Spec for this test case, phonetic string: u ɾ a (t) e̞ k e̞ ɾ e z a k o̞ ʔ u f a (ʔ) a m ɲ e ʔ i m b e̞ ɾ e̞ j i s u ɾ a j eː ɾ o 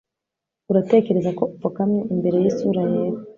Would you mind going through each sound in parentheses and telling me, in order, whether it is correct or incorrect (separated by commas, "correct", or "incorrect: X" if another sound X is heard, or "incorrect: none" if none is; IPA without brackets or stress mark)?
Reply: correct, incorrect: k